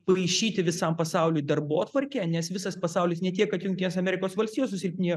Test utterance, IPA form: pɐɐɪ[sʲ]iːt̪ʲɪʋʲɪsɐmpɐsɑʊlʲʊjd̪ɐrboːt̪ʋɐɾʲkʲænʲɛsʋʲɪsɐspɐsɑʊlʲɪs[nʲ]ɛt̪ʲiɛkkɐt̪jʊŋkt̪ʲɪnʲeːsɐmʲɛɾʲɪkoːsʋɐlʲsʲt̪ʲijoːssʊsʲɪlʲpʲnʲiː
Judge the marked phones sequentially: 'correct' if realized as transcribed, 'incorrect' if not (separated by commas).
incorrect, correct